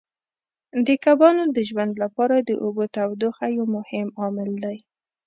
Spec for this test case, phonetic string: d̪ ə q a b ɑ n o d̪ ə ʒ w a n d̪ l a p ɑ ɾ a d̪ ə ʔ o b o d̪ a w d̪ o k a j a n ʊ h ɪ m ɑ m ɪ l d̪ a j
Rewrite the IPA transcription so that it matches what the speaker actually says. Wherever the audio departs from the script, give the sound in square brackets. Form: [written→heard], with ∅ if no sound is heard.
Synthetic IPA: d̪ ə [q→k] a b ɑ n o d̪ ə ʒ w a n d̪ l a p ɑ ɾ a d̪ ə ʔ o b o [d̪→t̪] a w d̪ o [k→x] a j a [n→m] ʊ h ɪ m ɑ m ɪ l d̪ a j